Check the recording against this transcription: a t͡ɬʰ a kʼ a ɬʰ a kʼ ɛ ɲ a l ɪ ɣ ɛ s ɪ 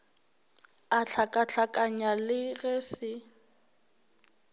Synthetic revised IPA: a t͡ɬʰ a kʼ a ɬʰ a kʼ a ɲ a l ɪ ɣ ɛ s ɪ